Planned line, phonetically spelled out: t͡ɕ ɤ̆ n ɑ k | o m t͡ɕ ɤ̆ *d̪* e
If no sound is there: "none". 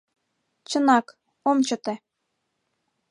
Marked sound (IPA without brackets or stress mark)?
t̪